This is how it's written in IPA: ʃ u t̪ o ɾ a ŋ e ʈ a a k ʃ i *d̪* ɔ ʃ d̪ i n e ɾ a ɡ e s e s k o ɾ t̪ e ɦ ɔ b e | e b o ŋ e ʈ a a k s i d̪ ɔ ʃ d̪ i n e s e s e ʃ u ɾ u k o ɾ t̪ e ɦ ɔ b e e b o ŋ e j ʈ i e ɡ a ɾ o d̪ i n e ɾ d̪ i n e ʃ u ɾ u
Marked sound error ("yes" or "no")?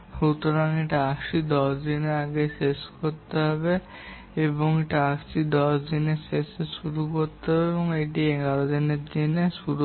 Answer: no